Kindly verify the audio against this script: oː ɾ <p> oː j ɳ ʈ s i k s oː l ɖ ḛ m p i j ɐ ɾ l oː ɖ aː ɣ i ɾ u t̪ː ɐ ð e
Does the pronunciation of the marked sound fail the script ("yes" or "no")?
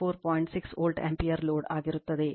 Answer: no